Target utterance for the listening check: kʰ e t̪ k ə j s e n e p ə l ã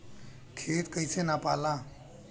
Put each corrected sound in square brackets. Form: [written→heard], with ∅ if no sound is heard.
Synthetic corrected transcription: kʰ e t̪ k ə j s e n [e→a] p [ə→a] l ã